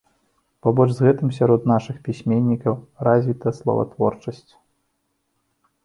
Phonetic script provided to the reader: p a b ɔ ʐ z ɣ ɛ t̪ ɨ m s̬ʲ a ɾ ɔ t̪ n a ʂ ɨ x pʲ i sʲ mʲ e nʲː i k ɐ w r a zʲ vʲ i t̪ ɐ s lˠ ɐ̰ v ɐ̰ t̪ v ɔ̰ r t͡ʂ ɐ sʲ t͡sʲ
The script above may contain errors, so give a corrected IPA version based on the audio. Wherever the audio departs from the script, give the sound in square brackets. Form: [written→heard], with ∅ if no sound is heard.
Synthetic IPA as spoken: p a b ɔ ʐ z ɣ ɛ t̪ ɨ m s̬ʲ a ɾ ɔ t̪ n a ʂ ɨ x pʲ i sʲ mʲ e nʲː i k ɐ w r a zʲ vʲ i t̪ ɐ s lˠ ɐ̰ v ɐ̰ t̪ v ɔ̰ r t͡ʂ ɐ sʲ t͡sʲ